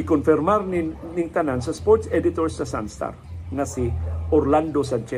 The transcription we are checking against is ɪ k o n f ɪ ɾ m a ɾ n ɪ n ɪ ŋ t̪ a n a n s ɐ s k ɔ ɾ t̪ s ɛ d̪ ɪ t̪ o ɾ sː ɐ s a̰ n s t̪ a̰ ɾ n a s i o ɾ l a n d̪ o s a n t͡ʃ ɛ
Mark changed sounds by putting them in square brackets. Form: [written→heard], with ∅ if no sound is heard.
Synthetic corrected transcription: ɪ k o n f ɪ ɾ m a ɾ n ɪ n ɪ ŋ t̪ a n a n s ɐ s [k→p] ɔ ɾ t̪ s ɛ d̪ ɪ t̪ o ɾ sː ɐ s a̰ n s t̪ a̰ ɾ [n→ŋ] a s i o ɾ l a n d̪ o s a n t͡ʃ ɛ